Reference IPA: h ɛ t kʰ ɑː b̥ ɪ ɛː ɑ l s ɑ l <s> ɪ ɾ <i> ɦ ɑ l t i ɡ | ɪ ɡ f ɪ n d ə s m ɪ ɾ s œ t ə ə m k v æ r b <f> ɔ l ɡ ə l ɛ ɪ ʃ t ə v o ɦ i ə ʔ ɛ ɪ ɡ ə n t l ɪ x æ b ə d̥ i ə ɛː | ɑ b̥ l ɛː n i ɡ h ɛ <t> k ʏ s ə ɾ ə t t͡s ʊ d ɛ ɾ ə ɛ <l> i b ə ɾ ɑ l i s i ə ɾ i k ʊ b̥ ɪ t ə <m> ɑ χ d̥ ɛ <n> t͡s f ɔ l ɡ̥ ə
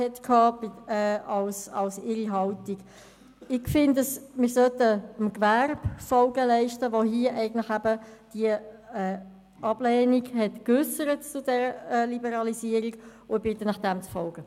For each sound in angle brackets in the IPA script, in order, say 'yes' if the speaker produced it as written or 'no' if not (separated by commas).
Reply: yes, yes, yes, yes, yes, no, no